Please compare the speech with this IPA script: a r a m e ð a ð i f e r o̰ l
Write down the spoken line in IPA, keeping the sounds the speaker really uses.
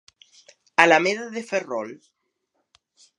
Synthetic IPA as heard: a l a m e ð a ð e f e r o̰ l